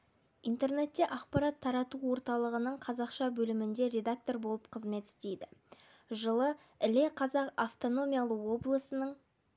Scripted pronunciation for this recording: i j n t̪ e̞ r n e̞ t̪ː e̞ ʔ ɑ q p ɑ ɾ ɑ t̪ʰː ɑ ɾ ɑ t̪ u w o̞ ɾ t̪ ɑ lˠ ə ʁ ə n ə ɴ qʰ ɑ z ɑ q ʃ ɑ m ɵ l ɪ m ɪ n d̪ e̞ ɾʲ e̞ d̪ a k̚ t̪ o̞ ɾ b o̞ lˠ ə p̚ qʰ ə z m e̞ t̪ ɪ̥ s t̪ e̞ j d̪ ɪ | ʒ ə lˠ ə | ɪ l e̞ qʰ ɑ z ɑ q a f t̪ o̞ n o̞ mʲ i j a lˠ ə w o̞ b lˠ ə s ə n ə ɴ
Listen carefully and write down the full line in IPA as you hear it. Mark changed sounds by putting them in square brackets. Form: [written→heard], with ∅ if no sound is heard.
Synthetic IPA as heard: i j n t̪ e̞ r n e̞ t̪ː e̞ ʔ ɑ q p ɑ ɾ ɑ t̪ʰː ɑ ɾ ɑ t̪ u w o̞ ɾ t̪ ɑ lˠ ə ʁ ə n ə ɴ qʰ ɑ z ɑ q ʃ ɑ [m→b] ɵ l ɪ m ɪ n d̪ e̞ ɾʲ e̞ d̪ a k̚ t̪ o̞ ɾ b o̞ lˠ ə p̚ qʰ ə z m e̞ t̪ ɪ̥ s t̪ e̞ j d̪ ɪ | ʒ ə lˠ ə | ɪ l e̞ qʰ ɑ z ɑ q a f t̪ o̞ n o̞ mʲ i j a lˠ ə w o̞ b lˠ ə s ə n ə ɴ

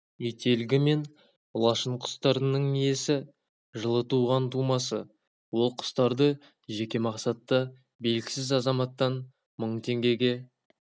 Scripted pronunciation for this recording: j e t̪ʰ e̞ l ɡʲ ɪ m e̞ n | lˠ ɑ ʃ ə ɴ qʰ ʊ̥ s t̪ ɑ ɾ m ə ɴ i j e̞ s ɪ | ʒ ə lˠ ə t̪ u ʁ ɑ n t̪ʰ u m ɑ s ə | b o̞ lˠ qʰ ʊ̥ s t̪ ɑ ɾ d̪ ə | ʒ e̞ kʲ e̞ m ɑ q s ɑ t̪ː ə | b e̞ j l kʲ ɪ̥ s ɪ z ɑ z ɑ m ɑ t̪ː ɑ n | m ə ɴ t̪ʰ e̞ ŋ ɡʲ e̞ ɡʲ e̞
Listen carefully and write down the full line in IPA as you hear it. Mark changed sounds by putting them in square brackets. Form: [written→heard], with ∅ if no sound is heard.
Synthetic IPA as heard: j e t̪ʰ e̞ l ɡʲ ɪ m e̞ n | lˠ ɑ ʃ ə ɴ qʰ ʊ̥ s t̪ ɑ ɾ [m→n] ə ɴ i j e̞ s ɪ | ʒ ə lˠ ə t̪ u ʁ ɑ n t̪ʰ u m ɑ s ə | [b→w] o̞ lˠ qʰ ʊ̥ s t̪ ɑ ɾ d̪ ə | ʒ e̞ kʲ e̞ m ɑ q s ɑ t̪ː ə | b e̞ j l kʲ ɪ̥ s ɪ z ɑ z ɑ m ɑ t̪ː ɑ n | m ə ɴ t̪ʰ e̞ ŋ ɡʲ e̞ ɡʲ e̞

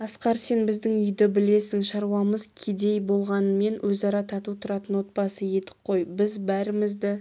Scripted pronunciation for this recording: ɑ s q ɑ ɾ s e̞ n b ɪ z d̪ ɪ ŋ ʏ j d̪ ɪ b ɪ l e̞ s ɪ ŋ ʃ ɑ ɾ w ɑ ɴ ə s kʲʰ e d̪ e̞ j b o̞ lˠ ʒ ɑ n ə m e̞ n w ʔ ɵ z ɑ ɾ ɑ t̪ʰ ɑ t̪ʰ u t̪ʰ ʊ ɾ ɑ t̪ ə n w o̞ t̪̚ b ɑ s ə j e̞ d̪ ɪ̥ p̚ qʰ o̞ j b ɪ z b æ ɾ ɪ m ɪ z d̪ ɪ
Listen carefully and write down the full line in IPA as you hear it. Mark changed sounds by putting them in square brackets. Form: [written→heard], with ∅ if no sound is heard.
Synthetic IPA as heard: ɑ s q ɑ ɾ s e̞ n b ɪ z d̪ ɪ ŋ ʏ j d̪ ɪ b ɪ l e̞ s ɪ ŋ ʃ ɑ ɾ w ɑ [ɴ→m] ə [s→z] kʲʰ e d̪ e̞ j b o̞ lˠ [ʒ→ʁ] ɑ n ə m e̞ n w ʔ ɵ z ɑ ɾ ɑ t̪ʰ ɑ [t̪ʰ→t̪] u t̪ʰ ʊ ɾ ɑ t̪ ə n w o̞ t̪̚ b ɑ s ə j e̞ [d̪→t̪] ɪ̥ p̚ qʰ o̞ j b ɪ z b æ ɾ ɪ m ɪ z d̪ ɪ

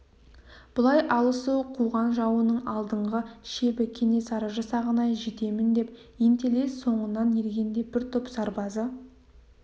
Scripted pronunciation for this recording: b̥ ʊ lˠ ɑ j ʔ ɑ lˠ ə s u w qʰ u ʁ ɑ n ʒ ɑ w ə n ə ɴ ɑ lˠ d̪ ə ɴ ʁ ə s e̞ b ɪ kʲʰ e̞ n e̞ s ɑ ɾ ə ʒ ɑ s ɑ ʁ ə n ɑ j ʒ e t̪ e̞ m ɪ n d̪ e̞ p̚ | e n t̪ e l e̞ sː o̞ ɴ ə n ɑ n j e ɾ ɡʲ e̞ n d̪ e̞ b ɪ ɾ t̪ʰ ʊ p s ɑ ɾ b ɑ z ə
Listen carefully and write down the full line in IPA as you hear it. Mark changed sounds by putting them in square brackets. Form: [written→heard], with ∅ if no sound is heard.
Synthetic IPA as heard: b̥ ʊ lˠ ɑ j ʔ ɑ lˠ ə s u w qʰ u ʁ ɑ n ʒ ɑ w ə n ə ɴ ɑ lˠ d̪ ə ɴ ʁ ə [s→ʃ] e̞ b ɪ kʲʰ e̞ n e̞ s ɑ ɾ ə ʒ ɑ s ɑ ʁ ə n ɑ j ʒ e t̪ e̞ m ɪ n d̪ e̞ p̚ | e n t̪ e l e̞ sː o̞ ɴ ə n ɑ n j e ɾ ɡʲ e̞ n d̪ e̞ b ɪ ɾ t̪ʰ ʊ p s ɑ ɾ b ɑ z ə

